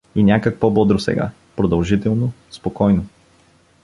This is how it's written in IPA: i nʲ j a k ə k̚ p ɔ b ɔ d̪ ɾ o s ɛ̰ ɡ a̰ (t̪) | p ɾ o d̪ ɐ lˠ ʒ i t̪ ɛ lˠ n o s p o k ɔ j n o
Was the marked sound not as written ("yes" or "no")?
yes